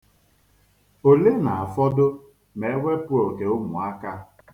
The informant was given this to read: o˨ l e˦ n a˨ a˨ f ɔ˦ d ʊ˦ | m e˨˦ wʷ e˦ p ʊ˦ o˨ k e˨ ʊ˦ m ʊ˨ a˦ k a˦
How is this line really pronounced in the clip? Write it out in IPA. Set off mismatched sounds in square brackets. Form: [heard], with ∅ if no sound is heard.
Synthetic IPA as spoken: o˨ l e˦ n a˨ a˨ f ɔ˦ d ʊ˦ | m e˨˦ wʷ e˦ p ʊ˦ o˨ k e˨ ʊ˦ m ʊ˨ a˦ k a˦